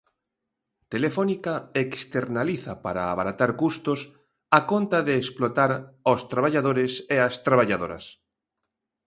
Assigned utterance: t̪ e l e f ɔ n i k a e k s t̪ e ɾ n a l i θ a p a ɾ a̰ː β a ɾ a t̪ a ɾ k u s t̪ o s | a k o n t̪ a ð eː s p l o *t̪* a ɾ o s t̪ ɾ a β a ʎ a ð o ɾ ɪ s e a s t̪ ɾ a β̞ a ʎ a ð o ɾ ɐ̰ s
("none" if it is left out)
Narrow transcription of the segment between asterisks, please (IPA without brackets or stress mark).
t̪